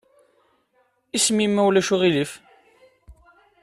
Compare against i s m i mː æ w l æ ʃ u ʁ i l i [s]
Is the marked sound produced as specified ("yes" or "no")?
no